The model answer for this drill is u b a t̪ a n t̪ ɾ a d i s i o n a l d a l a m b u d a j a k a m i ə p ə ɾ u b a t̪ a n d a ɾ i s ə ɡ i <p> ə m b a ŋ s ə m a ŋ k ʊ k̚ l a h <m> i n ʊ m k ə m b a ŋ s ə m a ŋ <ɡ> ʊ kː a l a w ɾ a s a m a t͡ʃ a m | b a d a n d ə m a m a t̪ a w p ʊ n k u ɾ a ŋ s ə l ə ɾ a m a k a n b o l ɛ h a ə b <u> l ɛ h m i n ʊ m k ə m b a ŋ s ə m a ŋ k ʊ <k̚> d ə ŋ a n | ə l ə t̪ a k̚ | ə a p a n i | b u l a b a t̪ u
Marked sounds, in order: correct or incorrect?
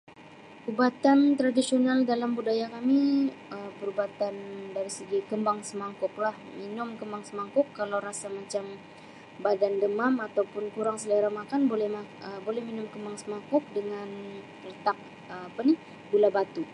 incorrect, correct, incorrect, incorrect, correct

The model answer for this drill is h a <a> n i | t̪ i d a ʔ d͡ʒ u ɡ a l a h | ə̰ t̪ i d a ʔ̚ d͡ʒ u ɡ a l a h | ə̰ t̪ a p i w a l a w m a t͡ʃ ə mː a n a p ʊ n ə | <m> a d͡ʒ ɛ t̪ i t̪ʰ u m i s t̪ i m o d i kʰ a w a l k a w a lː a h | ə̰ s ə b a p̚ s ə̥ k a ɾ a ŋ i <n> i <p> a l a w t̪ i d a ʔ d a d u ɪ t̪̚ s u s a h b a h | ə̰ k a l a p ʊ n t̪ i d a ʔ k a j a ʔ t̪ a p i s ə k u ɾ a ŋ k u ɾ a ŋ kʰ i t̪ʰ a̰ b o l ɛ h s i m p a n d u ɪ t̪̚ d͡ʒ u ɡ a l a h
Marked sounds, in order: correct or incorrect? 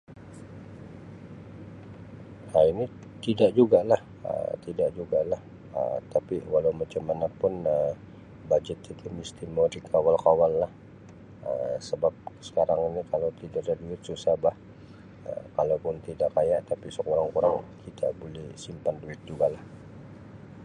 incorrect, incorrect, correct, incorrect

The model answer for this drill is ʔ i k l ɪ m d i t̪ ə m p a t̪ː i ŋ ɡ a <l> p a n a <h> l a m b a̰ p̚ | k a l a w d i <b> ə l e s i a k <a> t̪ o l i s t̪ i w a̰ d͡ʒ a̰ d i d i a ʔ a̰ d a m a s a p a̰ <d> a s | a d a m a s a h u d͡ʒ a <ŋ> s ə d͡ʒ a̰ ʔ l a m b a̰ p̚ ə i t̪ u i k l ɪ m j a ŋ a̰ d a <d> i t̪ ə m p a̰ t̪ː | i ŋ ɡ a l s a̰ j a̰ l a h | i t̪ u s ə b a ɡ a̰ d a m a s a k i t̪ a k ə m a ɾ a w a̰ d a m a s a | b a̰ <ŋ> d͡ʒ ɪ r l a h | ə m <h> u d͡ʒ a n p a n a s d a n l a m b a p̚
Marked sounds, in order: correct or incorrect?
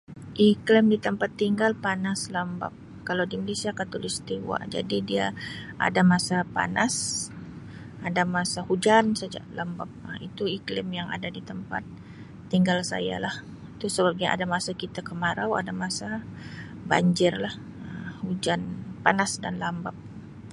correct, incorrect, incorrect, correct, incorrect, incorrect, correct, incorrect, correct

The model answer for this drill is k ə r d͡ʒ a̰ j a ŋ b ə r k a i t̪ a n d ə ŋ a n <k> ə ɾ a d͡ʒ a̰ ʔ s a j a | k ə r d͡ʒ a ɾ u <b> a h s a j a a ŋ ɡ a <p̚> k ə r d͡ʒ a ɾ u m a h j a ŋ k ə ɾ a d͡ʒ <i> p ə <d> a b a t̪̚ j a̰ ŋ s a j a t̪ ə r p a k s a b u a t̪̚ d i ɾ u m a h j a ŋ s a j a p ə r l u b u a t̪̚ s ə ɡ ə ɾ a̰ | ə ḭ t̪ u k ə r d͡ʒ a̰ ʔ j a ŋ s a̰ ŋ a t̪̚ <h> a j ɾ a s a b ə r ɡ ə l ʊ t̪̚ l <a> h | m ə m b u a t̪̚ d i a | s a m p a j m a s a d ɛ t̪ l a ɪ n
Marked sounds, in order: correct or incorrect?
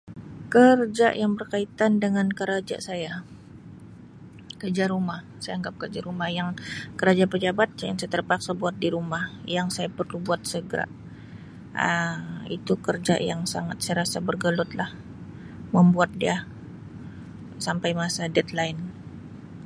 correct, incorrect, correct, incorrect, incorrect, incorrect, correct

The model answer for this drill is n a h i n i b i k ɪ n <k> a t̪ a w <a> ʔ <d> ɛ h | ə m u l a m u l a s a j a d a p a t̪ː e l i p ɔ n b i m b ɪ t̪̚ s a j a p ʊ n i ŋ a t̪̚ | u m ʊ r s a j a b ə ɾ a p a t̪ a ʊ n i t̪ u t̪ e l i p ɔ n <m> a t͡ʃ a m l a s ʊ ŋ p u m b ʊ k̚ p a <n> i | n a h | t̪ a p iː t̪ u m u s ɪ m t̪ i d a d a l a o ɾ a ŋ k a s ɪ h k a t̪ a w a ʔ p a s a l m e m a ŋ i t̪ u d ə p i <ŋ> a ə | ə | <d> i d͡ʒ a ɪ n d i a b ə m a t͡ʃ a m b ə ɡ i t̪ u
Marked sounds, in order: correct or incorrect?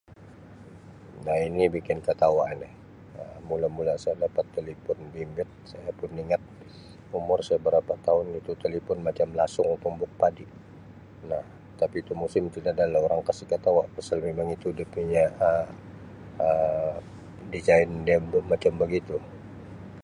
correct, correct, incorrect, correct, incorrect, incorrect, correct

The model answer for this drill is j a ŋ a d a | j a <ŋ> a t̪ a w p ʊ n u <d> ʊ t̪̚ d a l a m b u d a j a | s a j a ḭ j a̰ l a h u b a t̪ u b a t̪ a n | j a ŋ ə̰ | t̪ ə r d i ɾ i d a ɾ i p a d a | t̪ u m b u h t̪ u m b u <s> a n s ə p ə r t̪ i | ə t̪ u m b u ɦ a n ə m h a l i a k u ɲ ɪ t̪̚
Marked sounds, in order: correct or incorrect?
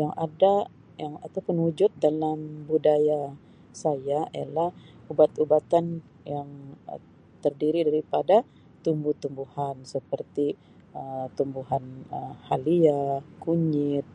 correct, incorrect, incorrect

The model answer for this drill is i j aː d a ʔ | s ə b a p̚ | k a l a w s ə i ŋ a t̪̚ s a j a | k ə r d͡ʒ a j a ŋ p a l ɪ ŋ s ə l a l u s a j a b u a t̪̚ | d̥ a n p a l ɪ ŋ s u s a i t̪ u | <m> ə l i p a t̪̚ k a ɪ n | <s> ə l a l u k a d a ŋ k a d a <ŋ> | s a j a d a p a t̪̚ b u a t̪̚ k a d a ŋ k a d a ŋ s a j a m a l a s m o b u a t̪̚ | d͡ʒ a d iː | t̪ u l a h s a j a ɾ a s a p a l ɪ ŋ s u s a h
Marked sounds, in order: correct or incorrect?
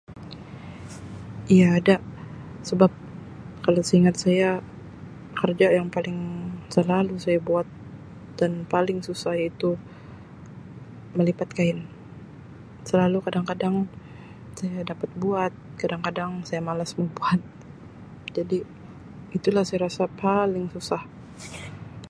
correct, correct, correct

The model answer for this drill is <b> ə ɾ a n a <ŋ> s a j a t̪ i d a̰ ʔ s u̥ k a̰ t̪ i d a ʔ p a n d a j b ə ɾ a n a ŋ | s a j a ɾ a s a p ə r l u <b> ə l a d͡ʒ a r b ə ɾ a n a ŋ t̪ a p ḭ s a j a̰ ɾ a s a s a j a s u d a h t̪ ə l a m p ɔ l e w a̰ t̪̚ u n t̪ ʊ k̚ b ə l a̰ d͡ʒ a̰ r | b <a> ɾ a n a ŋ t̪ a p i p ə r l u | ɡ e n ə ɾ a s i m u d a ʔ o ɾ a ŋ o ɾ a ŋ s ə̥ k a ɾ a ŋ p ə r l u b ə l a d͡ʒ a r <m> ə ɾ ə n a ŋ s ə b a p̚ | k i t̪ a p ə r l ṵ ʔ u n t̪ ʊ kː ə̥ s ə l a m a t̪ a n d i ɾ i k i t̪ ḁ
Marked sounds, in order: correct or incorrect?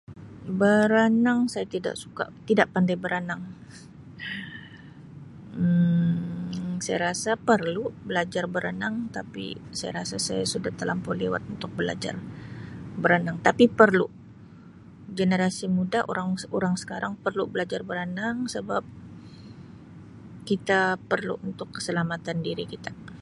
correct, correct, correct, incorrect, incorrect

